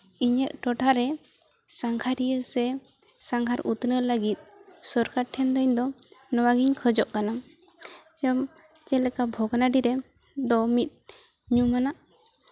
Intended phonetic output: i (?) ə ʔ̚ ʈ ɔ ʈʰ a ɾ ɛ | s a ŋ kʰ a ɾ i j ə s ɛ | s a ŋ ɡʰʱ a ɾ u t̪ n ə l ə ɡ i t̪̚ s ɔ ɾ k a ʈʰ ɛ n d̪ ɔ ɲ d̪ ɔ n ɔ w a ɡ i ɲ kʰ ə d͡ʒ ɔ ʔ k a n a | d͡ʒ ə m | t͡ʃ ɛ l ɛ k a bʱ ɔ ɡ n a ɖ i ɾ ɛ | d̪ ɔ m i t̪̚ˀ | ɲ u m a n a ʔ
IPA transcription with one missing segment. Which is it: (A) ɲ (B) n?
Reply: A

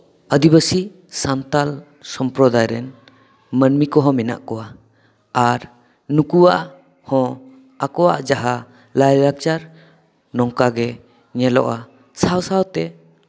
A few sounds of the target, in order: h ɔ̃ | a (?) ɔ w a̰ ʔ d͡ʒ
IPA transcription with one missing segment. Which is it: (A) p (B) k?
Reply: B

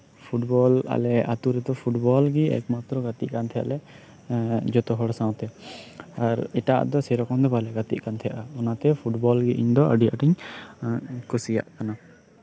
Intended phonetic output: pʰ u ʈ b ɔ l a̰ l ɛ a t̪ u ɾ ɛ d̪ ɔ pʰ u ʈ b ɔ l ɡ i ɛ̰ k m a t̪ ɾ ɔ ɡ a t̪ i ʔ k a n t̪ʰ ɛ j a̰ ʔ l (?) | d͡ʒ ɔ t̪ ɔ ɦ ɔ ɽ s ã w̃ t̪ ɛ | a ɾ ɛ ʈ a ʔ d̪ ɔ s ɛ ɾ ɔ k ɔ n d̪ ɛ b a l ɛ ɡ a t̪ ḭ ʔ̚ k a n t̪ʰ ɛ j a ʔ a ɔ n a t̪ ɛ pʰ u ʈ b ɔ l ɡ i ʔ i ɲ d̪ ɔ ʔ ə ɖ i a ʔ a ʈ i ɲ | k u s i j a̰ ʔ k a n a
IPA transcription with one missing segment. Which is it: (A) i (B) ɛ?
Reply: B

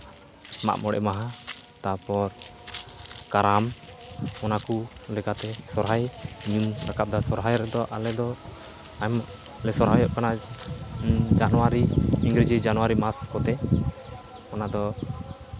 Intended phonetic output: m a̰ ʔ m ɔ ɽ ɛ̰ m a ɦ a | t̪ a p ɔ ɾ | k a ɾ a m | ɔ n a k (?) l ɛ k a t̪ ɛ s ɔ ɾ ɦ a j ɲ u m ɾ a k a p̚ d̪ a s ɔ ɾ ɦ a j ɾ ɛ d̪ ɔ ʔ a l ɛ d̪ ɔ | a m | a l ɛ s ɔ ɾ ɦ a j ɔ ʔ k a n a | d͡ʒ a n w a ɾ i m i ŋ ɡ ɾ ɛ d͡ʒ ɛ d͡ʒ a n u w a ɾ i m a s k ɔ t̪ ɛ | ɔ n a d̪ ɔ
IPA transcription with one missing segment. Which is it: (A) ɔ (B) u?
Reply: B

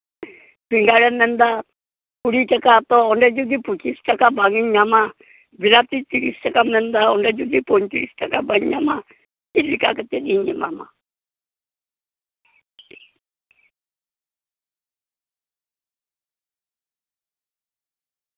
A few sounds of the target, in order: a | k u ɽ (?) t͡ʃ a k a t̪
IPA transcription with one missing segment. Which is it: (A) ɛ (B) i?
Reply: B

